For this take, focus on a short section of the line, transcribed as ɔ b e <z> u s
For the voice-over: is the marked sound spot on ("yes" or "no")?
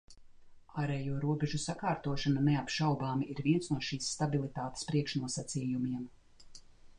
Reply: no